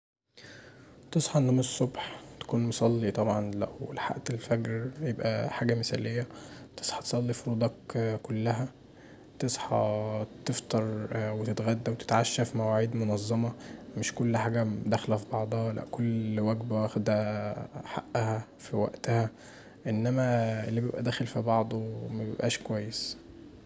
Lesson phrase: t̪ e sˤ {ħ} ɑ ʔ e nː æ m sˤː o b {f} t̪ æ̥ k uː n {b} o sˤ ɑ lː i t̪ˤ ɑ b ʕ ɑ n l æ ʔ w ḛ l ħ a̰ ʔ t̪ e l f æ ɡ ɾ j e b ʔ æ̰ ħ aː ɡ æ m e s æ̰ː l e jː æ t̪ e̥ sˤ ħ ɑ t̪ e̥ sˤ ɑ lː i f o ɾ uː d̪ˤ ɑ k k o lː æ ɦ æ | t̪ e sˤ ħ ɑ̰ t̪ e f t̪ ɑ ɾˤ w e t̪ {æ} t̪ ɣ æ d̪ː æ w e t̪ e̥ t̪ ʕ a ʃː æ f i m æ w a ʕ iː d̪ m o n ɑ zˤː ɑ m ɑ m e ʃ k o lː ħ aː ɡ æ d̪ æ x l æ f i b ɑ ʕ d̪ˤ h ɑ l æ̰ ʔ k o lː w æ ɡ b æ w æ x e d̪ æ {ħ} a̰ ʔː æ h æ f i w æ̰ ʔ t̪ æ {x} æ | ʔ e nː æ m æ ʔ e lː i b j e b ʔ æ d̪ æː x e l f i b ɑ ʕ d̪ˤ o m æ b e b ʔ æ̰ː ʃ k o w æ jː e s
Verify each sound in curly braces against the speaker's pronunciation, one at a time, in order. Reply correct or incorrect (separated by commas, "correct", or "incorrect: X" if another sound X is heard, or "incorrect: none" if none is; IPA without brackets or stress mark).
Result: correct, incorrect: ħ, incorrect: m, incorrect: e, correct, incorrect: h